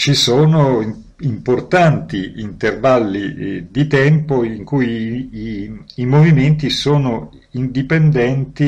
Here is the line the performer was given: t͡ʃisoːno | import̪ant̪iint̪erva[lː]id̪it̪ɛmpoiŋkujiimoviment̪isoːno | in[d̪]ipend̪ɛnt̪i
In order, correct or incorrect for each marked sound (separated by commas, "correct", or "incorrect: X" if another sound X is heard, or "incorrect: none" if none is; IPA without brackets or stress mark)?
correct, correct